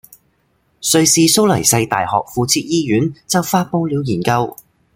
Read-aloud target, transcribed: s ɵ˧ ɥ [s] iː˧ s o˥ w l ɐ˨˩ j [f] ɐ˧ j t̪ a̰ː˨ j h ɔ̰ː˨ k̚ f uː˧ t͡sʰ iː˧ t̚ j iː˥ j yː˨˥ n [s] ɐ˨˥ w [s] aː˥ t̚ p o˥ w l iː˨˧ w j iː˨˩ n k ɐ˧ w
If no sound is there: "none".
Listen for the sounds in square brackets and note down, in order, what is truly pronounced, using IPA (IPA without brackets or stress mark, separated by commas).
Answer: s, s, t͡s, f